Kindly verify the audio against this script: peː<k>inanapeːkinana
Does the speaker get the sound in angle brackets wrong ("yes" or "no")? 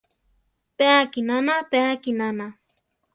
no